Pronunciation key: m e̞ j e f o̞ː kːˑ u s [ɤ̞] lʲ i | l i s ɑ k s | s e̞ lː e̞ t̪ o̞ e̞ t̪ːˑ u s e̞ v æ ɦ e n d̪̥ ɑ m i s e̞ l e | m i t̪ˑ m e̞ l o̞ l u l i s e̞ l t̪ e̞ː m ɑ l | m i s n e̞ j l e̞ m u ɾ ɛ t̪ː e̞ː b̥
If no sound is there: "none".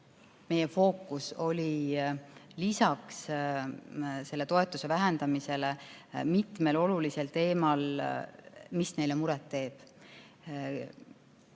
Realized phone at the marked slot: o̞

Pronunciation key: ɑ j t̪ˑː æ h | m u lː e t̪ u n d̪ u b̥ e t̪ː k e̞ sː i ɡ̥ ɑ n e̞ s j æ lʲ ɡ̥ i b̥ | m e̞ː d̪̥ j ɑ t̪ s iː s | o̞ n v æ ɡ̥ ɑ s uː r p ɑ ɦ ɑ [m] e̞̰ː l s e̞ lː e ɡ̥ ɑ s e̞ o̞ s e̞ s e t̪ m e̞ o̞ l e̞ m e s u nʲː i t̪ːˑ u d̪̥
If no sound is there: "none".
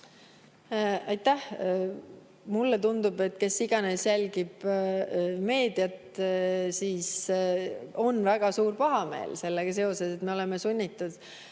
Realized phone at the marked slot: m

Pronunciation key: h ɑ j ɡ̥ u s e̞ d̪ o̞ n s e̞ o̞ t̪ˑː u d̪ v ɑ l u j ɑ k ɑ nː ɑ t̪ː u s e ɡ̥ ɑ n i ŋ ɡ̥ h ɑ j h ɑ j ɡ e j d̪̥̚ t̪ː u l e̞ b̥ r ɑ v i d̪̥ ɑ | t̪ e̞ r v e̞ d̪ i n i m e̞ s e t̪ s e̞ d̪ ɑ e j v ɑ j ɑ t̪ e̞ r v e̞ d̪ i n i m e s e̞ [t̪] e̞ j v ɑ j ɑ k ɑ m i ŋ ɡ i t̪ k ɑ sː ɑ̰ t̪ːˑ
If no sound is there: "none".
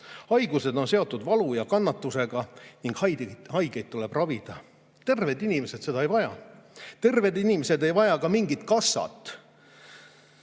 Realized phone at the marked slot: d̪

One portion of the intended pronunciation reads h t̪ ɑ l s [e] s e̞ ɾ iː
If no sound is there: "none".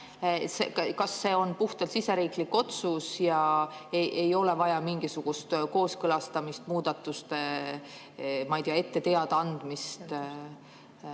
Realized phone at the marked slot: i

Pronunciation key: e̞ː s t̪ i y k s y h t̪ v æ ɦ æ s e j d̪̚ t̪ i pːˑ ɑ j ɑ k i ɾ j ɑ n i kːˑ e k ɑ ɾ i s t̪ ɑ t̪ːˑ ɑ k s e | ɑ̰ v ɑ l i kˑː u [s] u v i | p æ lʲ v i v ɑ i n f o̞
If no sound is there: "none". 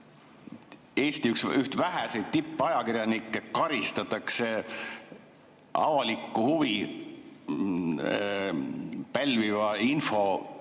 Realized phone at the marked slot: h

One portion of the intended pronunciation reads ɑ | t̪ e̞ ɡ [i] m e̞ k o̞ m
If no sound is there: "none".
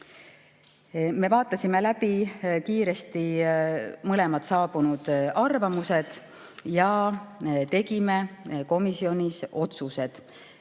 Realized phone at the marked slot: i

